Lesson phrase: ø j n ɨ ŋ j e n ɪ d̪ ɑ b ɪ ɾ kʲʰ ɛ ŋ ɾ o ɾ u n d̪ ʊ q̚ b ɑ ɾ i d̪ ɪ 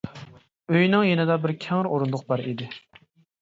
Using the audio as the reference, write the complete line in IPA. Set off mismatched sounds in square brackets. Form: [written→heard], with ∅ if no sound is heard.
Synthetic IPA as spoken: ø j n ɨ ŋ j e n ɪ d̪ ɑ b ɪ ɾ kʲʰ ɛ ŋ ɾ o ɾ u n d̪ ʊ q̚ b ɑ ɾ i d̪ ɪ

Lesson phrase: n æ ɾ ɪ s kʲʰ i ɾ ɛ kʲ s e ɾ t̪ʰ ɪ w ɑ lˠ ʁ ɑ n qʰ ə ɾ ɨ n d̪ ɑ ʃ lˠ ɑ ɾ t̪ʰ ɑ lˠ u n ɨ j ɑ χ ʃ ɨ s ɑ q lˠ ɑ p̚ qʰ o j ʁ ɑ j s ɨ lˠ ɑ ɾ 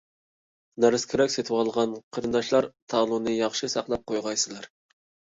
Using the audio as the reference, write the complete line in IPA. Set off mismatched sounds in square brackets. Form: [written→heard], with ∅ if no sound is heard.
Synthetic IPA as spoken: n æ ɾ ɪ s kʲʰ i ɾ ɛ kʲ s e [ɾ→∅] t̪ʰ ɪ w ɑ lˠ ʁ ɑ n qʰ ə ɾ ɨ n d̪ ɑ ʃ lˠ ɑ ɾ t̪ʰ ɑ lˠ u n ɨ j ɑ χ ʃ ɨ s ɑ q lˠ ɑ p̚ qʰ o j ʁ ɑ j s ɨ lˠ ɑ ɾ

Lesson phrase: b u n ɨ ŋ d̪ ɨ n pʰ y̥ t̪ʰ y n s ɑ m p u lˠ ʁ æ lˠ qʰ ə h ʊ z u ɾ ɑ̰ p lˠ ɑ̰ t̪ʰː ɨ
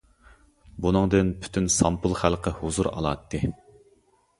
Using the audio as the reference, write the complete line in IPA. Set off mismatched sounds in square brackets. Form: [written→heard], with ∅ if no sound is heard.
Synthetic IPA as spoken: b u n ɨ ŋ d̪ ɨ n pʰ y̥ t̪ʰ y n s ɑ m p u lˠ [ʁ→χ] æ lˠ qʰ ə h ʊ z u ɾ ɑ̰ [p→∅] lˠ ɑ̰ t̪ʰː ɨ

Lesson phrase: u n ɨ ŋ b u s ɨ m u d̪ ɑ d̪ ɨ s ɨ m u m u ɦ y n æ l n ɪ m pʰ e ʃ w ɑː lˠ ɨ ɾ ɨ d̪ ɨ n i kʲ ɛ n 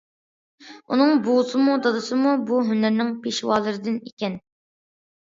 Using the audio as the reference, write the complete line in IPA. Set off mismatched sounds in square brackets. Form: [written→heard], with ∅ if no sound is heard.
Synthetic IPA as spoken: u n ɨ ŋ b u s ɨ m u d̪ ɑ d̪ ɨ s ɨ m u [m→b] u ɦ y n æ [l→ɾ] n ɪ [m→ŋ] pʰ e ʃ w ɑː lˠ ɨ ɾ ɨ d̪ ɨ n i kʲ ɛ n

